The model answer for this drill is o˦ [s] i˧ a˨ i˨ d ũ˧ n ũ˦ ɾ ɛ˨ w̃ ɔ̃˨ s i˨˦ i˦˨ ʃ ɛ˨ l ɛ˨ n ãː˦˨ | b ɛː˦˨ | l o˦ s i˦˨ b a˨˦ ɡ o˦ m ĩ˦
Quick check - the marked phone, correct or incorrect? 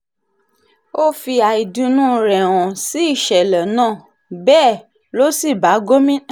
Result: incorrect: f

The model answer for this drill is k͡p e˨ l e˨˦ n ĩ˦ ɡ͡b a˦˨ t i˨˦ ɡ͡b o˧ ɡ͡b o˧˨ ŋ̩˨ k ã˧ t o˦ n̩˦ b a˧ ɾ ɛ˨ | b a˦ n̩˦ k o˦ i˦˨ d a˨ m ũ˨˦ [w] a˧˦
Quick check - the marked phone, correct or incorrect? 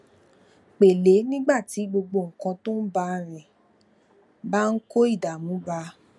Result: incorrect: b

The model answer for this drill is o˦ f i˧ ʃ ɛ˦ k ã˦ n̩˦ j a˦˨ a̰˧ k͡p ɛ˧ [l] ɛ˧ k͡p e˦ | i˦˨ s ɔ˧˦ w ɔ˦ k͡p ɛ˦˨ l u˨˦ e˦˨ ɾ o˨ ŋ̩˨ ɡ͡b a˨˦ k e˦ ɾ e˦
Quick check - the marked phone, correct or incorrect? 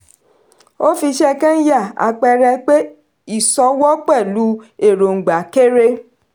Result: incorrect: ɾ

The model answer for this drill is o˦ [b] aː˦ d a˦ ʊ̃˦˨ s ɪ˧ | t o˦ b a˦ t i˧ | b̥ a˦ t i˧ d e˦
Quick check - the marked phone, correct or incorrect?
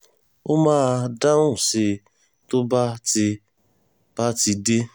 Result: incorrect: m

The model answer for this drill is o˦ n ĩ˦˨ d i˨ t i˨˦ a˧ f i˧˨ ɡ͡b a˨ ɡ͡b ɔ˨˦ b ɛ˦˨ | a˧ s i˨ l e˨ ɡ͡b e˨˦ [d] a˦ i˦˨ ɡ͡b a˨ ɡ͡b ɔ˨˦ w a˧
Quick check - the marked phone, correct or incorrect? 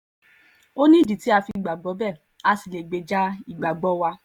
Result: incorrect: d͡ʒ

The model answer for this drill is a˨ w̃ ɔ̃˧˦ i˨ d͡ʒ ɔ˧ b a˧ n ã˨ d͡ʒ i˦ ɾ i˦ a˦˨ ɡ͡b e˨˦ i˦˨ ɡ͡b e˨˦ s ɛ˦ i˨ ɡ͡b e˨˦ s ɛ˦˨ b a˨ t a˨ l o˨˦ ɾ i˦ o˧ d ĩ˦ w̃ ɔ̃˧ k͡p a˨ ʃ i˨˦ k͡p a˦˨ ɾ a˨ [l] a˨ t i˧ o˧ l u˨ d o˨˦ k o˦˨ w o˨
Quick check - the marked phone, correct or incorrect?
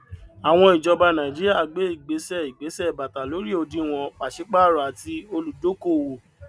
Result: incorrect: none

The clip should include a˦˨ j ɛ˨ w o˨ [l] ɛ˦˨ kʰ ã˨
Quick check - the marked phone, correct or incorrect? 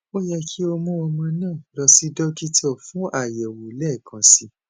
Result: correct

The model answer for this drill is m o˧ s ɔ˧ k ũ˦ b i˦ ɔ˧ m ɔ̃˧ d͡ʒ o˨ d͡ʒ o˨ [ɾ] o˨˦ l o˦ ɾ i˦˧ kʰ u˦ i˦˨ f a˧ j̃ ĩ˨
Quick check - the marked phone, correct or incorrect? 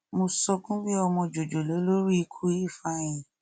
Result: incorrect: l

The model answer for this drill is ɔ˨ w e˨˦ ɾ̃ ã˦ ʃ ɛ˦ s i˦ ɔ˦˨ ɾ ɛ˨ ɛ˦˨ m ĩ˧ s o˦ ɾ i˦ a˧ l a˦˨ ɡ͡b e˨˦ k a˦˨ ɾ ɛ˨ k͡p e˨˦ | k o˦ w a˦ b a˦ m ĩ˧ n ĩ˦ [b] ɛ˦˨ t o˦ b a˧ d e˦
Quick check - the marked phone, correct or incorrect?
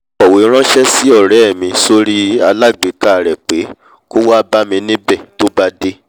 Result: correct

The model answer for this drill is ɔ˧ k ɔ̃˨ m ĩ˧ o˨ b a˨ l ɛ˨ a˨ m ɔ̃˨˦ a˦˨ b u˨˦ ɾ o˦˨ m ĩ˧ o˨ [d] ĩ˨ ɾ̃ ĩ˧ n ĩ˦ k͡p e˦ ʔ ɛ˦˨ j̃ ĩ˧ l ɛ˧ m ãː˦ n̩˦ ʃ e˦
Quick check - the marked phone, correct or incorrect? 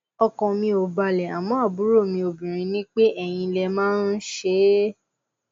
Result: incorrect: b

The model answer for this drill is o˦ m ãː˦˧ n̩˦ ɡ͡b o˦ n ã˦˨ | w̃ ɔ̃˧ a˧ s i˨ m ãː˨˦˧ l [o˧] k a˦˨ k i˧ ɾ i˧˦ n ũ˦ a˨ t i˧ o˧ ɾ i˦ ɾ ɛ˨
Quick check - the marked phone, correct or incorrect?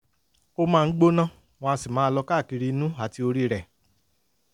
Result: incorrect: ɔ˧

